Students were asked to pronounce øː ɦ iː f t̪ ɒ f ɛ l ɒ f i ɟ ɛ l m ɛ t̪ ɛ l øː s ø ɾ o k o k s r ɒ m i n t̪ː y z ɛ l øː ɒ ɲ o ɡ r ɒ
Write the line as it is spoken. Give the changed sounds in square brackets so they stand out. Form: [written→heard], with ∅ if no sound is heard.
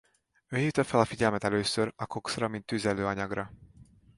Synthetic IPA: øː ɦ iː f t̪ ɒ f ɛ l ɒ f i ɟ ɛ l m ɛ t̪ ɛ l øː s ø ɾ [o→ɒ] k o k s r ɒ m i n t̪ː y z ɛ l øː ɒ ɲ [o→ɒ] ɡ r ɒ